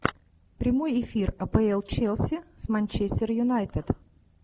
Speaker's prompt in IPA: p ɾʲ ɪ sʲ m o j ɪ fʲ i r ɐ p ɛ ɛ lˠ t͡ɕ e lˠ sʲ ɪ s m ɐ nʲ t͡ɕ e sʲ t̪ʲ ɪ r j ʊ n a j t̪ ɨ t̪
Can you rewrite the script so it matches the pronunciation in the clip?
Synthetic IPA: p ɾʲ ɪ m o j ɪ fʲ i r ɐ p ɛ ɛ lˠ t͡ɕ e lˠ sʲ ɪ s m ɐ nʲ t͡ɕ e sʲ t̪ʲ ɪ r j ʊ n a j t̪ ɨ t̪